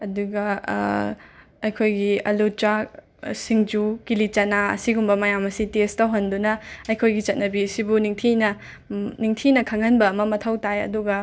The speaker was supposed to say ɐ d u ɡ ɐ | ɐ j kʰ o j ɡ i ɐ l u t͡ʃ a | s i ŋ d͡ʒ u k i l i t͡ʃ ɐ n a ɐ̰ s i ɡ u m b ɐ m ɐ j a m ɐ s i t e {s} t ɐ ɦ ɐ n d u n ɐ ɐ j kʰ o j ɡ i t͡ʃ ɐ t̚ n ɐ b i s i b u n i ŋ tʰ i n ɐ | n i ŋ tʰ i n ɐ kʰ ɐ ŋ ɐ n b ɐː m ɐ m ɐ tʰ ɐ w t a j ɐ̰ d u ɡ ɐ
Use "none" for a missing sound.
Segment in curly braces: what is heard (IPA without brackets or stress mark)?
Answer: s